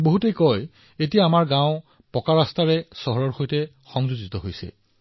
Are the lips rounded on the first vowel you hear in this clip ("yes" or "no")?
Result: yes